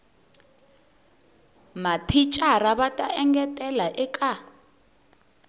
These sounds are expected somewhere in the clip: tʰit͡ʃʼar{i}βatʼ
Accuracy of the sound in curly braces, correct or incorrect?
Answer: incorrect